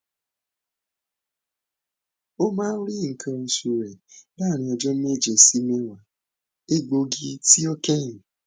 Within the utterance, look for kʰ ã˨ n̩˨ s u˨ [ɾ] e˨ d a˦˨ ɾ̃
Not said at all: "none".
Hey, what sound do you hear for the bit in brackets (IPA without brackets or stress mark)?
ɾ